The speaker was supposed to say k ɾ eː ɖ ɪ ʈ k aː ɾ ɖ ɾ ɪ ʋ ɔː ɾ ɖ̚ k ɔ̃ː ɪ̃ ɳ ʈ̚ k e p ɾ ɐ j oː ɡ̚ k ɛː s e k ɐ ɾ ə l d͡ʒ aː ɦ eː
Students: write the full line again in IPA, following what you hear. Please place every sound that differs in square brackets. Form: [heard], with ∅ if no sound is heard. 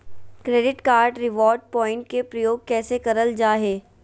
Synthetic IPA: k ɾ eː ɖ ɪ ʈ k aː ɾ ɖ ɾ ɪ ʋ ɔː ɾ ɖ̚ [p] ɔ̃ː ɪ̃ ɳ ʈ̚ k e p ɾ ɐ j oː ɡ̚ k ɛː s e k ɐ ɾ ə l d͡ʒ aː ɦ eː